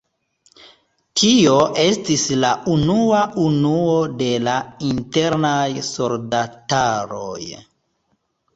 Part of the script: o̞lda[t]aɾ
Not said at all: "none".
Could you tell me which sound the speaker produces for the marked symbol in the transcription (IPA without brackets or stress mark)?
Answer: t